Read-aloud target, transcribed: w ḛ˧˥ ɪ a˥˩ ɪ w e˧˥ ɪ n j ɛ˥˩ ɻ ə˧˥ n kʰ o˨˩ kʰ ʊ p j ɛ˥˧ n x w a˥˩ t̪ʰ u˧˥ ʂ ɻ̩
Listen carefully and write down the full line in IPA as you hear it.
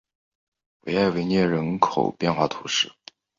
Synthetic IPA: w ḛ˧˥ ɪ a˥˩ ɪ w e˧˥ ɪ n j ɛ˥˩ ɻ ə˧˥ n kʰ o˨˩ ʊ p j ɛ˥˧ n x w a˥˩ t̪ʰ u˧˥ ʂ ɻ̩